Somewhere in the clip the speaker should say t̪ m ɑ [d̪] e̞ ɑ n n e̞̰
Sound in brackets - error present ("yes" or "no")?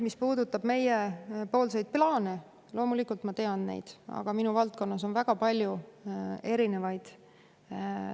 yes